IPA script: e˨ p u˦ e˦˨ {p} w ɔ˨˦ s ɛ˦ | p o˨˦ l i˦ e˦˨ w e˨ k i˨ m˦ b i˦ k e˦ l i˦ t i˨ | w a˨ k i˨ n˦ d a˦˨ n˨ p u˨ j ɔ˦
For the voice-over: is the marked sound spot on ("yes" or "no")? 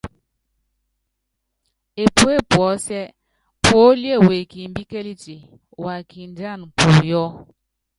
yes